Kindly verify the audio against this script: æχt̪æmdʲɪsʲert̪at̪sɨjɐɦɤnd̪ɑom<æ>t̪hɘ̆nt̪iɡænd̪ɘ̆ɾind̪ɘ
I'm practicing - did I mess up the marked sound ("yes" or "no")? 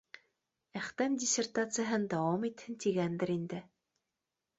yes